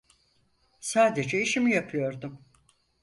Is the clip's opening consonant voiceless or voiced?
voiceless